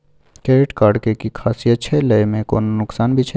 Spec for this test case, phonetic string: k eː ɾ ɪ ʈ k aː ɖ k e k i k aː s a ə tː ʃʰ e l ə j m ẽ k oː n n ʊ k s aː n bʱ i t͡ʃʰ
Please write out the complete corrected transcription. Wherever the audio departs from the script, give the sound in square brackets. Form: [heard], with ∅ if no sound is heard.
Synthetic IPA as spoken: k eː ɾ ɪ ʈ k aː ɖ k e k i [kʰ] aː s [i] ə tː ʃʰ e l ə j m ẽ k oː n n ʊ k s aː n bʱ i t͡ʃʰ